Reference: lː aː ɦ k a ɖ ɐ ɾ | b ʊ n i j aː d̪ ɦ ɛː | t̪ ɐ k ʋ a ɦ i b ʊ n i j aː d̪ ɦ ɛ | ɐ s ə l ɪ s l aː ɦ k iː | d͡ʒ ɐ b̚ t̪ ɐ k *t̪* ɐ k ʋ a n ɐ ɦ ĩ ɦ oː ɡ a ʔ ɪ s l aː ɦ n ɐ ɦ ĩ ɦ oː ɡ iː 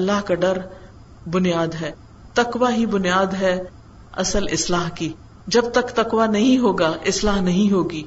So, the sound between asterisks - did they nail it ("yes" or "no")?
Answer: yes